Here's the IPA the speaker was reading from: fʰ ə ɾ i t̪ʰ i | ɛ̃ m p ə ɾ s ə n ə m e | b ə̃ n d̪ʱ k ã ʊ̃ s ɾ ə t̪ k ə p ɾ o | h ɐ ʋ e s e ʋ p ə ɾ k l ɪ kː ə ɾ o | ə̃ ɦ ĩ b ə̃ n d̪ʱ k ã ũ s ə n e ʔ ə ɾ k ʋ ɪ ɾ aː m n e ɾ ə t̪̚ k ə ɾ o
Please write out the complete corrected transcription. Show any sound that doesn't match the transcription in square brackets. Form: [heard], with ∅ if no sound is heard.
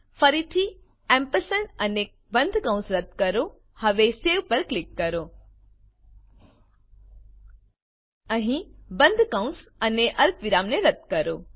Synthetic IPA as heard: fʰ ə ɾ i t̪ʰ i | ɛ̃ m p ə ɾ s ə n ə [n] e | b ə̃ n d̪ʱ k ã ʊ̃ s ɾ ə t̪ k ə [∅] ɾ o | h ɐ ʋ e s e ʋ p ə ɾ k l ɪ kː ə ɾ o | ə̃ ɦ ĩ b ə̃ n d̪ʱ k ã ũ s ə n e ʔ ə ɾ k ʋ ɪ ɾ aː m n e ɾ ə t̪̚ k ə ɾ o